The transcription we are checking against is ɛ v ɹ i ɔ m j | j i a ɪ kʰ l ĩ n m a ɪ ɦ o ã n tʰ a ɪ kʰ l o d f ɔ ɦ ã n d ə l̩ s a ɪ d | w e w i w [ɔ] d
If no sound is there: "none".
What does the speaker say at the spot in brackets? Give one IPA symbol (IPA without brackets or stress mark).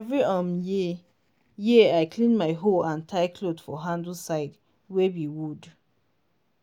u